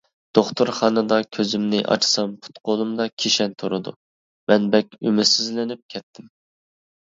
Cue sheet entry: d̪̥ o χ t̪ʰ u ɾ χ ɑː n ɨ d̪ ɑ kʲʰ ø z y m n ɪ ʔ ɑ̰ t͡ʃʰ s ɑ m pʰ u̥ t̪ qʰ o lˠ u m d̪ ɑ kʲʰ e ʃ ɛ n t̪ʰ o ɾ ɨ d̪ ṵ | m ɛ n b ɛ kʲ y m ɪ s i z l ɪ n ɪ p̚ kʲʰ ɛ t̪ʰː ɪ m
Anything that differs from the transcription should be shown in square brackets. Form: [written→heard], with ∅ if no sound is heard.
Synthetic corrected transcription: d̪̥ o χ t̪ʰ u ɾ χ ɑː n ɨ d̪ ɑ kʲʰ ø z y m n ɪ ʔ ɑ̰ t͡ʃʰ s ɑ m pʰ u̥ t̪ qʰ o lˠ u m d̪ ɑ kʲʰ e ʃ ɛ n t̪ʰ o ɾ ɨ d̪ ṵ | m ɛ n b ɛ kʲ y m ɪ s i z l ɪ n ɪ p̚ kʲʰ ɛ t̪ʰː ɪ m